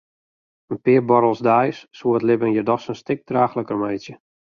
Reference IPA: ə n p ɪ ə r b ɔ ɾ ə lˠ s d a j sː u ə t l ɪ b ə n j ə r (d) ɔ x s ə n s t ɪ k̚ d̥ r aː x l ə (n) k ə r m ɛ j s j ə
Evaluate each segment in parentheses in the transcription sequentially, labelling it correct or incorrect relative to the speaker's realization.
correct, incorrect

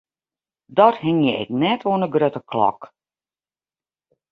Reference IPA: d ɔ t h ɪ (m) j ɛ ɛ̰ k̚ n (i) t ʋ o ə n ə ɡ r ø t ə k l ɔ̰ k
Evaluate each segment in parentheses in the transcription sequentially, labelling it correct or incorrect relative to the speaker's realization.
incorrect, incorrect

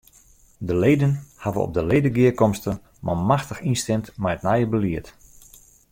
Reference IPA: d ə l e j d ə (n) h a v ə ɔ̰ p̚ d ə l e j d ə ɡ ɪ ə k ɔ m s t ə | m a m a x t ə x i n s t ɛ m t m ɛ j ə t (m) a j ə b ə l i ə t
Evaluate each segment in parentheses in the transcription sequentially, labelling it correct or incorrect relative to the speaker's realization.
correct, incorrect

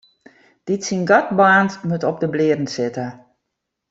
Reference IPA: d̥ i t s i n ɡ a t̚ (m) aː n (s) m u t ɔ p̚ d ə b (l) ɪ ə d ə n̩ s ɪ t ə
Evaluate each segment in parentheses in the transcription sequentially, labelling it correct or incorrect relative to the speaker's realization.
incorrect, incorrect, correct

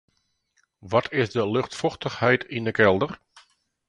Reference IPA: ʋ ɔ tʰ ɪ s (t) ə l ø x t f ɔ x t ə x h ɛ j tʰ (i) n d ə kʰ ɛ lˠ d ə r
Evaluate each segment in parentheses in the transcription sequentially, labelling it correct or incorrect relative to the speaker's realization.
incorrect, correct

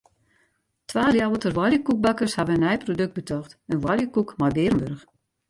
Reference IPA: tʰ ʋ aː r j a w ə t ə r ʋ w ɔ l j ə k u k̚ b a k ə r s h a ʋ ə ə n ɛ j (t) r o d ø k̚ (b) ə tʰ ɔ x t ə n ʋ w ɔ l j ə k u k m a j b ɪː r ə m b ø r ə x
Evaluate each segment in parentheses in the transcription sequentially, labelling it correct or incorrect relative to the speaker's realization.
incorrect, correct

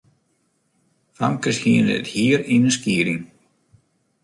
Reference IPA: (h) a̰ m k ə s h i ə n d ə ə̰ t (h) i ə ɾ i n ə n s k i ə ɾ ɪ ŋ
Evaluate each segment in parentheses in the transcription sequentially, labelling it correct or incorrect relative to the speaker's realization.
incorrect, correct

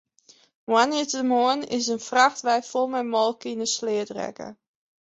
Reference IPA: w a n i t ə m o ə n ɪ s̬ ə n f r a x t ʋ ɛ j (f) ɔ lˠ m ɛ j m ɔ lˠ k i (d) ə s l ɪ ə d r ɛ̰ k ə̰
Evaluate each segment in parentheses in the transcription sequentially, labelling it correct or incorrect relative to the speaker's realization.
correct, incorrect

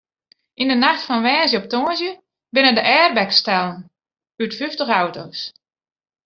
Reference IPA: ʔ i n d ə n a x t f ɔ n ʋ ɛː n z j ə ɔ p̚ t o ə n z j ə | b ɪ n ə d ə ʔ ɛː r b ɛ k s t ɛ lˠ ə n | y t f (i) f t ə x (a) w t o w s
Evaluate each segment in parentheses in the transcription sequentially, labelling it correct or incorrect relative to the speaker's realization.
incorrect, correct

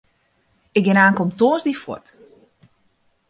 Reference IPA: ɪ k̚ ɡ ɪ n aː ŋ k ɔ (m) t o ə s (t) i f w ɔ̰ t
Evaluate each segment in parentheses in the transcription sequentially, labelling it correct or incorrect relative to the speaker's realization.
correct, incorrect

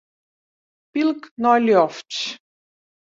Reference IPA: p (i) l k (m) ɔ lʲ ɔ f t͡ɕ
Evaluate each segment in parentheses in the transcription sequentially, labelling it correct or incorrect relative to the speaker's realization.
correct, incorrect

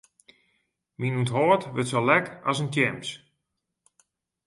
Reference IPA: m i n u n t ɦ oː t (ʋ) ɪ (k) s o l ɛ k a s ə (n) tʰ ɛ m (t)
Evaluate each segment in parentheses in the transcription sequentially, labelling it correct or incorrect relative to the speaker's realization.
correct, incorrect, correct, incorrect

